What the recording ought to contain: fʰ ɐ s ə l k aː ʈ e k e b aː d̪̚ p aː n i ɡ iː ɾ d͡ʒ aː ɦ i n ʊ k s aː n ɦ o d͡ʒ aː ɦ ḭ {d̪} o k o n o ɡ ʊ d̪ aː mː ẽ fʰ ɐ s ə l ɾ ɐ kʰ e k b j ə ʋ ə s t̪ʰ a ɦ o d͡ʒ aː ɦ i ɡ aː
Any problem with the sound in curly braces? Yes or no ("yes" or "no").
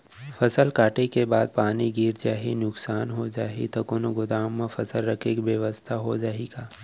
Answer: yes